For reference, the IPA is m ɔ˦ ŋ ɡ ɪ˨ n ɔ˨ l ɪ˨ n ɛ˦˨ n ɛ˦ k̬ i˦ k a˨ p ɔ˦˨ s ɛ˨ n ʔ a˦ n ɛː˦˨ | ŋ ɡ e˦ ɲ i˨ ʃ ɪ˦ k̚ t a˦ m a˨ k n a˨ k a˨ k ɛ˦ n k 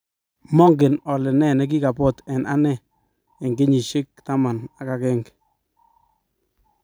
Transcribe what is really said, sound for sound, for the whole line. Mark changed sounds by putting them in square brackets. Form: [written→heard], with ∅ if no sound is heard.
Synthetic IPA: m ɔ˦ ŋ ɡ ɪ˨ n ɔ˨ l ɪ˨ n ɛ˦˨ n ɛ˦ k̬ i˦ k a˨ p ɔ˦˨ [s→t] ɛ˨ n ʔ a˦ n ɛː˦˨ | ŋ ɡ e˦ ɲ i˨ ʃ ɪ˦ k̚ t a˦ m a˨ [k→∅] n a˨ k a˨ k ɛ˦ [n→ŋ] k